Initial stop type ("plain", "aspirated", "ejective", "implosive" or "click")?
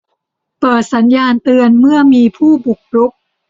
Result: plain